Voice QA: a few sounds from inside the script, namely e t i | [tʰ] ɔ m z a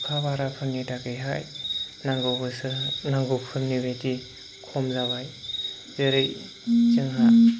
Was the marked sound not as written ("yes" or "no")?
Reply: yes